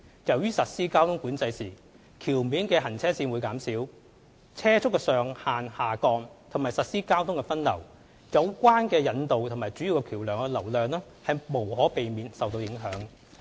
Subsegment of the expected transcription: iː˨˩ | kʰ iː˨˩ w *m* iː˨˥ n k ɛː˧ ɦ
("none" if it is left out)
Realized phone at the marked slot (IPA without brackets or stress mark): m